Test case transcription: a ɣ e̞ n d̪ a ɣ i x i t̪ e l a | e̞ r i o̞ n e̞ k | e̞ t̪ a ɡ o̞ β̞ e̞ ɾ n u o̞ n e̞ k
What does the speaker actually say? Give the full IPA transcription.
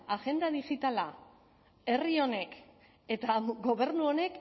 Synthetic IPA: a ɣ e̞ n d̪ a ð i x i t̪ a l a | e̞ r i o̞ n e̞ k | e̞ t̪ a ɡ o̞ β̞ e̞ ɾ n u o̞ n e̞ k

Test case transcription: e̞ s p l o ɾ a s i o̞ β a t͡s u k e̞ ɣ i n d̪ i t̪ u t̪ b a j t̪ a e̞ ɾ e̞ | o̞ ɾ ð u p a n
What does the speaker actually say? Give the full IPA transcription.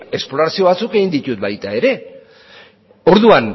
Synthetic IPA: e̞ s p l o ɾ a s i o̞ β a t͡s u k e̞ ɣ i n d̪ i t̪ u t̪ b a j t̪ a e̞ ɾ e̞ | o̞ ɾ ð u a n

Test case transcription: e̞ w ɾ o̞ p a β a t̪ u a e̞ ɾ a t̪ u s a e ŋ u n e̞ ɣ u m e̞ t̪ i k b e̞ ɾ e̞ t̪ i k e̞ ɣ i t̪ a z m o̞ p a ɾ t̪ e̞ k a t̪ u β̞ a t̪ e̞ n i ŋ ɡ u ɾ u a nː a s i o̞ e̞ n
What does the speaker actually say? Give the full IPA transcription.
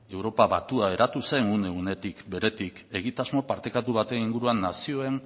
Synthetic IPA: e̞ w ɾ o̞ p a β a t̪ u a e̞ ɾ a t̪ u s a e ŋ u n e̞ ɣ u n e̞ t̪ i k b e̞ ɾ e̞ t̪ i k e̞ ɣ i t̪ a z m o̞ p a ɾ t̪ e̞ k a t̪ u β̞ a t̪ e̞ n i ŋ ɡ u ɾ u a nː a s i o̞ e̞ n

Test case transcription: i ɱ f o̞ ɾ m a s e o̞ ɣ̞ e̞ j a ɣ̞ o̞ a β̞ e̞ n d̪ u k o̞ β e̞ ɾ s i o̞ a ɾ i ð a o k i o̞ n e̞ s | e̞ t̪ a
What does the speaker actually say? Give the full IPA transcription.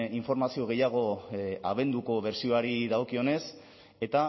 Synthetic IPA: i ɱ f o̞ ɾ m a s i o̞ ɣ̞ e̞ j a ɣ̞ o̞ a β̞ e̞ n d̪ u k o̞ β e̞ ɾ s i o̞ a ɾ i ð a o k i o̞ n e̞ s | e̞ t̪ a

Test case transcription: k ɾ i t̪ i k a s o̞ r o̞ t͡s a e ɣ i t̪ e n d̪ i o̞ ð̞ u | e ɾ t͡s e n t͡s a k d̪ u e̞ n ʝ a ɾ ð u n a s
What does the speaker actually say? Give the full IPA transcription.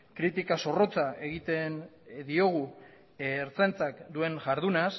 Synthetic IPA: k ɾ i t̪ i k a s o̞ r o̞ t͡s a e ɣ i t̪ e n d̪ i o̞ ɣ̞ u | e ɾ t͡s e n t͡s a k d̪ u e̞ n ʝ a ɾ ð u n a s

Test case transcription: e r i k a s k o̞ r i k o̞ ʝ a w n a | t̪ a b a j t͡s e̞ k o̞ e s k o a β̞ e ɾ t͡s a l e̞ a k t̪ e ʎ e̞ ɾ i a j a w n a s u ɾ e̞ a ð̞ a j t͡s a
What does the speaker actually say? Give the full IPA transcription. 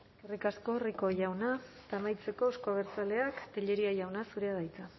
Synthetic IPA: e r i k a s k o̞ r i k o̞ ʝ a w n a | t̪ a m a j t͡s e̞ k o̞ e s k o a β̞ e ɾ t͡s a l e̞ a k t̪ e ʎ e̞ ɾ i a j a w n a s u ɾ e̞ a ð̞ a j t͡s a

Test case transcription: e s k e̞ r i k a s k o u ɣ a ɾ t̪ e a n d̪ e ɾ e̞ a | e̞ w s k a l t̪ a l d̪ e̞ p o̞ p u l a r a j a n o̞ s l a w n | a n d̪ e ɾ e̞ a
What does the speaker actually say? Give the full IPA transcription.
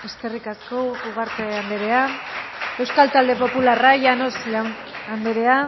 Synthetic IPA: e s k e̞ r i k a s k o u ɣ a ɾ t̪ e a n d̪ e ɾ e̞ a | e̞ w s k a l t̪ a l d̪ e̞ p o̞ p u l a r a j a n o̞ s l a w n | a n d̪ e ɾ e̞ a

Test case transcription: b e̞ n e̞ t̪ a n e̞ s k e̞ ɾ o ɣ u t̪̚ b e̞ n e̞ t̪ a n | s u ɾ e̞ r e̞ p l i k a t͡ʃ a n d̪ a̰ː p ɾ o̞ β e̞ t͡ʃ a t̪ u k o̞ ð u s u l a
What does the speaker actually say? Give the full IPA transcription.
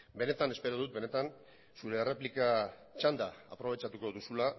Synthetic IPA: b e̞ n e̞ t̪ a n e̞ s p e̞ ɾ o ð u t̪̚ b e̞ n e̞ t̪ a n | s u ɾ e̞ r e̞ p l i k a t͡ʃ a n d̪ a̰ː p ɾ o̞ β e̞ t͡ʃ a t̪ u k o̞ ð u s u l a

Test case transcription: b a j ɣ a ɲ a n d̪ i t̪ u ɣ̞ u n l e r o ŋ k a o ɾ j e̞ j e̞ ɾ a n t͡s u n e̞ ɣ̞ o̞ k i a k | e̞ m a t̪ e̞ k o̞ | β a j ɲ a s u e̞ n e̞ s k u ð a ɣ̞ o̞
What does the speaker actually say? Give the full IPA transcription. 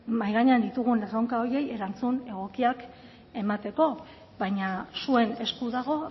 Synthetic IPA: m a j ɣ a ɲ a n d̪ i t̪ u ɣ̞ u n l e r o ŋ k a o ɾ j e̞ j e̞ ɾ a n t͡s u n e̞ ɣ̞ o̞ k i a k | e̞ m a t̪ e̞ k o̞ | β a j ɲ a s u e̞ n e̞ s k u ð a ɣ̞ o̞

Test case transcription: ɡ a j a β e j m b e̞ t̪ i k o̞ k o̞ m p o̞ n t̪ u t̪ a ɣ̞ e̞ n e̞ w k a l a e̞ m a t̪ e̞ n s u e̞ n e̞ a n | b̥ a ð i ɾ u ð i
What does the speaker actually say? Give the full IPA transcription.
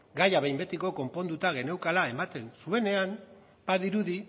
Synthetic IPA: ɡ a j a β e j m b e̞ t̪ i k o̞ k o̞ m p o̞ n d̪ u t̪ a ɣ̞ e̞ n e̞ w k a l a e̞ m a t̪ e̞ n s u e̞ n e̞ a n | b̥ a ð i ɾ u ð i

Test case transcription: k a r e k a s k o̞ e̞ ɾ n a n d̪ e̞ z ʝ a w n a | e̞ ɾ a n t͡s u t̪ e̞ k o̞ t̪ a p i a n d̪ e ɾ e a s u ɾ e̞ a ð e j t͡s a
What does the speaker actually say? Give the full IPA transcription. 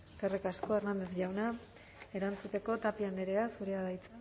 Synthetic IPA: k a r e k a s k o̞ e̞ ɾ n a n d̪ e̞ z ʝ a w n a | e̞ ɾ a n t͡s u t̪ e̞ k o̞ t̪ a p i a n d̪ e ɾ e a s u ɾ e̞ a ð a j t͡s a

